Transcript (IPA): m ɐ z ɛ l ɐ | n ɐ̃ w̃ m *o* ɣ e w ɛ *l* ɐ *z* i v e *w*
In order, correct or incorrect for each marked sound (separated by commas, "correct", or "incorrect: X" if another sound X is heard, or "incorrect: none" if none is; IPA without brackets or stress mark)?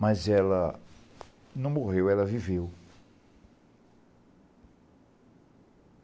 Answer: correct, correct, incorrect: v, correct